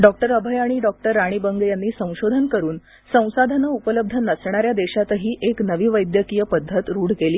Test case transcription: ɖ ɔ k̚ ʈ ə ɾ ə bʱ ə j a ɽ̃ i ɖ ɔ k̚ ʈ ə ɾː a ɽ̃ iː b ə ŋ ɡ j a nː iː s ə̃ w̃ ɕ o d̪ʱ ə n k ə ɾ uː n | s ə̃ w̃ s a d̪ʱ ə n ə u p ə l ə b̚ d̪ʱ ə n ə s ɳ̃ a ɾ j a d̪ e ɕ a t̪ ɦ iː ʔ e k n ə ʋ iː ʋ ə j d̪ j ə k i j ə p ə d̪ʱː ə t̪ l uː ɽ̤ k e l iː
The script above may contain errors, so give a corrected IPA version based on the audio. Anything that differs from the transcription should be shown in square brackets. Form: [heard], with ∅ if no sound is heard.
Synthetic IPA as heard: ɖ ɔ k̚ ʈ ə ɾ ə bʱ ə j a ɽ̃ i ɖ ɔ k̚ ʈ ə ɾː a ɽ̃ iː b ə ŋ ɡ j a nː iː s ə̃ w̃ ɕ o d̪ʱ ə n k ə ɾ uː n | s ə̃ w̃ s a d̪ʱ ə n ə u p ə l ə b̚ d̪ʱ ə n ə s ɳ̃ a ɾ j a d̪ e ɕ a t̪ ɦ iː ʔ e k n ə ʋ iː ʋ ə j d̪ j ə k i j ə p ə d̪ʱː ə t̪ [ɾ] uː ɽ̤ k e l iː